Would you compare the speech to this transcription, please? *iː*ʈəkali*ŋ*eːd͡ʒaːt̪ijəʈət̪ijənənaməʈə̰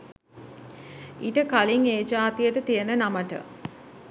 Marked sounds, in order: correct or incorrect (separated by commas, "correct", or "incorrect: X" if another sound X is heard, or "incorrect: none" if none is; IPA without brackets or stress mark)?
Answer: incorrect: i, correct